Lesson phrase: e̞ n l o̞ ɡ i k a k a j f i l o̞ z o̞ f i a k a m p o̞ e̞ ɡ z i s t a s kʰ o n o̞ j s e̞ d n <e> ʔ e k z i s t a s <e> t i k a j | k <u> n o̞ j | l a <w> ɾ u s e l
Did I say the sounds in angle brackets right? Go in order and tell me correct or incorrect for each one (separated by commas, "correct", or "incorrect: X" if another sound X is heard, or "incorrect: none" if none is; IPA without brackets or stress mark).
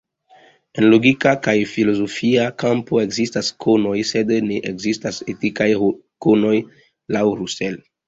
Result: correct, correct, incorrect: o, correct